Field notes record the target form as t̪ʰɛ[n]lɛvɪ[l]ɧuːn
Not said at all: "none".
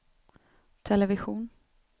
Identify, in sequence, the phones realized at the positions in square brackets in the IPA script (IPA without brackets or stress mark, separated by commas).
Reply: none, none